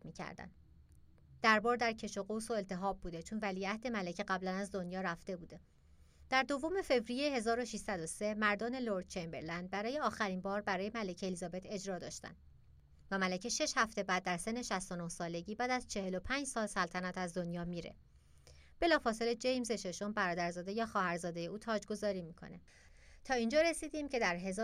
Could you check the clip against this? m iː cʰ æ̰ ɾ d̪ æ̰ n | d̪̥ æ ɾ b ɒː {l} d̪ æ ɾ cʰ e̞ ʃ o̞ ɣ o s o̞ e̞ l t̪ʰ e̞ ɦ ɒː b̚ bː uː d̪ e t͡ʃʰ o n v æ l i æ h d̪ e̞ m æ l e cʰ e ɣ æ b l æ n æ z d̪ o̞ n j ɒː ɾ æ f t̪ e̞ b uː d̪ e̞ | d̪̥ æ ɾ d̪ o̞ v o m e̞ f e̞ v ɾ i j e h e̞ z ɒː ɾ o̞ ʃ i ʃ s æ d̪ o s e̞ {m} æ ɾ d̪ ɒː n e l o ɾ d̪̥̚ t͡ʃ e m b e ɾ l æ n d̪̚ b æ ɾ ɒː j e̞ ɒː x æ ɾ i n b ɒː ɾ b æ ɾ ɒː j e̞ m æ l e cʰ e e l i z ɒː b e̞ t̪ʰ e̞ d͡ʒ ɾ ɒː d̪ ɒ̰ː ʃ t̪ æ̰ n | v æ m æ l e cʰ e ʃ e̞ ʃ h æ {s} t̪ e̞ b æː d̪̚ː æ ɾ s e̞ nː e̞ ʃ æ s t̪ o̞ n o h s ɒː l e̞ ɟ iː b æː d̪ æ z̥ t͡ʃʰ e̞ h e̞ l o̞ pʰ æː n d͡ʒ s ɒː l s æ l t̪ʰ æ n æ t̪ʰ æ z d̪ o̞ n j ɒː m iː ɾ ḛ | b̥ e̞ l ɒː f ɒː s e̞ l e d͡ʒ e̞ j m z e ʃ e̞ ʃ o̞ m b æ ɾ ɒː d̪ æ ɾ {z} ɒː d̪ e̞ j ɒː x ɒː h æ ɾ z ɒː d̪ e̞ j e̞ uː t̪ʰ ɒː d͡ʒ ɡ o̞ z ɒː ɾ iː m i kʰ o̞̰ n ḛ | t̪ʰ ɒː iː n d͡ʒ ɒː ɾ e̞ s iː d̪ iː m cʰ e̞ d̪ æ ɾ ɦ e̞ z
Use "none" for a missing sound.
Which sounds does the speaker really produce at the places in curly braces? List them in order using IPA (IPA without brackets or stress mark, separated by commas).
ɾ, m, f, z